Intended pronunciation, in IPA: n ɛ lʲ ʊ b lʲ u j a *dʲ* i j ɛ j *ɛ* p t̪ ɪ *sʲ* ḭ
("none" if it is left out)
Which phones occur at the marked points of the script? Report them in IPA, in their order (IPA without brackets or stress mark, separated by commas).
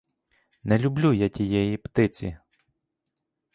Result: tʲ, i, t͡sʲ